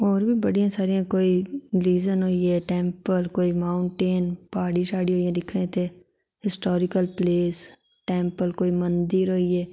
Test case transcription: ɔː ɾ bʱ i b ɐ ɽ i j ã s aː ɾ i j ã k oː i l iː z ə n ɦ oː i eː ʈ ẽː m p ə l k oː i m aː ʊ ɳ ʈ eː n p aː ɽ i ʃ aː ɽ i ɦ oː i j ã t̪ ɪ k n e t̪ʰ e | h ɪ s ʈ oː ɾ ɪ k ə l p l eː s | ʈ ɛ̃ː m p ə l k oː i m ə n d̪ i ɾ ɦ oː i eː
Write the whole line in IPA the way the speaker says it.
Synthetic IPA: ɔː ɾ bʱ i b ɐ ɽ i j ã s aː ɾ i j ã k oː i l iː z ə n ɦ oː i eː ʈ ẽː m p ə l k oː i m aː ʊ ɳ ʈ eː n p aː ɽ i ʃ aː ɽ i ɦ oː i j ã d̪ ɪ kʰ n e t̪ʰ e | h ɪ s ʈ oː ɾ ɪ k ə l p l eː s | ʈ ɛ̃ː m p ə l k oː i m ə n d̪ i ɾ ɦ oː i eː